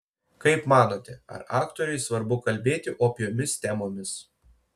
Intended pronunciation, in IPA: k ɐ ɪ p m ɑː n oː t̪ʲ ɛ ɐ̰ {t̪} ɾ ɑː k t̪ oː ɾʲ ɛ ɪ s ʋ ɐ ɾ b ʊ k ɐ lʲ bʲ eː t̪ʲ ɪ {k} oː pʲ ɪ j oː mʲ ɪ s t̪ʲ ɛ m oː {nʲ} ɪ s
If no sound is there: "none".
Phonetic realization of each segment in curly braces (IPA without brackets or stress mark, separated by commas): none, ʔ, mʲ